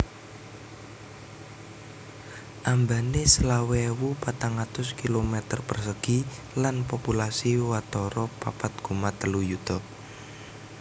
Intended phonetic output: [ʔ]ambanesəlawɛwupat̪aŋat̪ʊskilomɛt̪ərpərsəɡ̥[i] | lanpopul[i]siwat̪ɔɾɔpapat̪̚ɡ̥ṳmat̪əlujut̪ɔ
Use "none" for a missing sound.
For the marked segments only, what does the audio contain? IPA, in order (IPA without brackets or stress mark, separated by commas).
ʔ, i, a